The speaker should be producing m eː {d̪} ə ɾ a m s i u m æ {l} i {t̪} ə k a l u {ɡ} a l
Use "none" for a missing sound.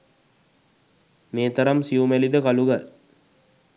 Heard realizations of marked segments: t̪, l, d̪, ɡ

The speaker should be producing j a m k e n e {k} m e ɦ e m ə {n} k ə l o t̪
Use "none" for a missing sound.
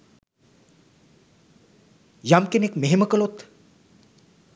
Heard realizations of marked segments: k, none

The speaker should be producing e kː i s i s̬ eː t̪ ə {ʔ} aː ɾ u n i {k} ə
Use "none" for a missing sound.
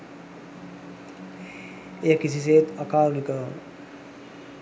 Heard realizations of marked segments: k, k

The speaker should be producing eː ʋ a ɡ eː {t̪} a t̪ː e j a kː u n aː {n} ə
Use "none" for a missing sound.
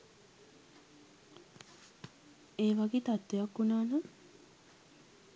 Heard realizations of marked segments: t̪, n

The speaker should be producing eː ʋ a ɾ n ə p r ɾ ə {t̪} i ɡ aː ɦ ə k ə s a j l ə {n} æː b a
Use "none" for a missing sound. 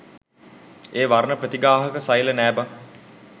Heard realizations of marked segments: t̪, n

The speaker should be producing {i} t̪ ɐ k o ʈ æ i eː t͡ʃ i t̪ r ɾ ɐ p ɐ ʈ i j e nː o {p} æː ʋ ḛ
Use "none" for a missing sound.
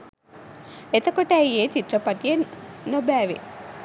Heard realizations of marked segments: e, b

